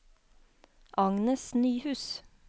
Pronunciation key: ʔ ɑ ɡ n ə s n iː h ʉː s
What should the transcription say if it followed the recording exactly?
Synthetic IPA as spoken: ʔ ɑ ŋ n ə s n yː h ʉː s